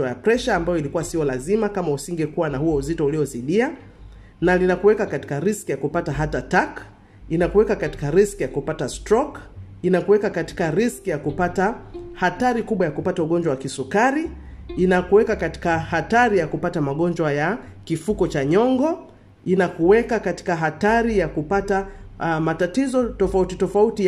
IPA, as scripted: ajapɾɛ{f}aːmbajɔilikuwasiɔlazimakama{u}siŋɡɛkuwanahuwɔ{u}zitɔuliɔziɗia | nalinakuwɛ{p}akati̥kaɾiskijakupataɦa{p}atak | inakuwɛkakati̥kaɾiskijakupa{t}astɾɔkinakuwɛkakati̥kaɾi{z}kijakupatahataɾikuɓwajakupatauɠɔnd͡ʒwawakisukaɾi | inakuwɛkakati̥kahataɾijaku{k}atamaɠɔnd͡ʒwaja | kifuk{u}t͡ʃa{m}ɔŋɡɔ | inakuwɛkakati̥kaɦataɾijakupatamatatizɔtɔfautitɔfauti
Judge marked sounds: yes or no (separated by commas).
no, yes, yes, no, no, yes, no, no, no, no